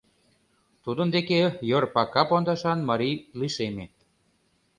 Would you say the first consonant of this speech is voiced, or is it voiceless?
voiceless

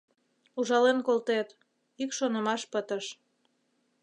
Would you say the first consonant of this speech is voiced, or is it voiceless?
voiced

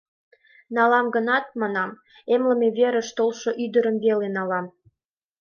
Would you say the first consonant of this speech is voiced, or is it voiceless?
voiced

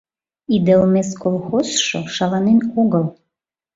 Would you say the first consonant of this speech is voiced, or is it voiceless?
voiced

